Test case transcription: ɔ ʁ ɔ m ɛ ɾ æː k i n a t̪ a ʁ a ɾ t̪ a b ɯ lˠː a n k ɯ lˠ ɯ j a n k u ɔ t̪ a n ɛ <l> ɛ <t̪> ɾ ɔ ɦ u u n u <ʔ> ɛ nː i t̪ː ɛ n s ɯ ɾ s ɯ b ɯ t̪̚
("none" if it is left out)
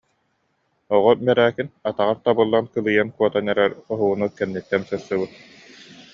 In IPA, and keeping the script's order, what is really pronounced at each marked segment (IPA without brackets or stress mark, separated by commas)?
ɾ, none, k